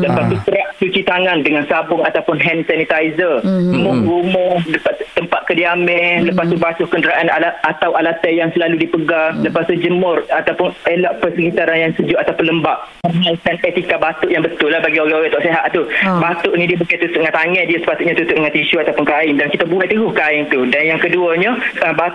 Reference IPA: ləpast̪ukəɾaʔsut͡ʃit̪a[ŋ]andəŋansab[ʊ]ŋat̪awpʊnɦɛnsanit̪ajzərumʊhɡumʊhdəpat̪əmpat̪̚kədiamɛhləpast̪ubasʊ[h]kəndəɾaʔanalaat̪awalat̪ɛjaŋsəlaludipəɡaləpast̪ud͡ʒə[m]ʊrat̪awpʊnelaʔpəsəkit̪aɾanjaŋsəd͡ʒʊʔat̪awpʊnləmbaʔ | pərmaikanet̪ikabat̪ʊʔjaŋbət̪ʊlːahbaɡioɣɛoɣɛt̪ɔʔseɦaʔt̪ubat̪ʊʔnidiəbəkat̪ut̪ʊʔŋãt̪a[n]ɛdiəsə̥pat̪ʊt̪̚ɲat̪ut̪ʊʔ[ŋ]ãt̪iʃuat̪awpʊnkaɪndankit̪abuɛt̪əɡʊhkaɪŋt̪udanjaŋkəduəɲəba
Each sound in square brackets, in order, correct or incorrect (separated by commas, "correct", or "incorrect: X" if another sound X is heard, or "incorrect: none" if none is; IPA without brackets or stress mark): correct, correct, correct, correct, incorrect: ŋ, correct